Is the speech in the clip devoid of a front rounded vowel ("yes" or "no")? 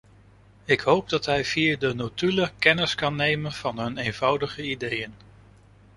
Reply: no